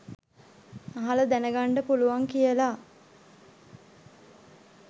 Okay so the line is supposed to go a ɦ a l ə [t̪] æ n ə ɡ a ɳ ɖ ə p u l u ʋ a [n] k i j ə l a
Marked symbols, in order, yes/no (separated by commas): no, no